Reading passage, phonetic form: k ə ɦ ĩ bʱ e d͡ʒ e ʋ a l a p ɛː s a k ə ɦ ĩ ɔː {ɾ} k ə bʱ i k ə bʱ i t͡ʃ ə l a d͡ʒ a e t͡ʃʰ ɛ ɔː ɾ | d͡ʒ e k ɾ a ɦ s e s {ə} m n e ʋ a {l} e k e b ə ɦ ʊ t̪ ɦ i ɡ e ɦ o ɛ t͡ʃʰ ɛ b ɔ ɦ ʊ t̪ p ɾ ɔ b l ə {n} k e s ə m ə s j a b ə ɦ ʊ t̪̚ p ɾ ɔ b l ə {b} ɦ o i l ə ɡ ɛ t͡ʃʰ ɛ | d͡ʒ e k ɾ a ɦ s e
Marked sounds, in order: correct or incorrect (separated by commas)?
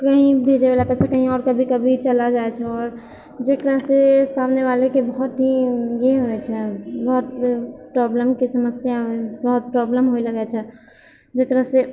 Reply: correct, incorrect, correct, incorrect, incorrect